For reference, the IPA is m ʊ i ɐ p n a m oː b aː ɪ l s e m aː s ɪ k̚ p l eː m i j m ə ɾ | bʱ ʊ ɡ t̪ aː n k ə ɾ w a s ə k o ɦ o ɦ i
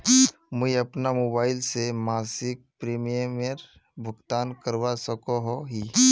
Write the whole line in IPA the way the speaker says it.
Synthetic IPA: m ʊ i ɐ p n a m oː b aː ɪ l s e m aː s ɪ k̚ p ɾ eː m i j m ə ɾ | bʱ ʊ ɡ t̪ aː n k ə ɾ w a s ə k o ɦ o ɦ i